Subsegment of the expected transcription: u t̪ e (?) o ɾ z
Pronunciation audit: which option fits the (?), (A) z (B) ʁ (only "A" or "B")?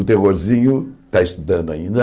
B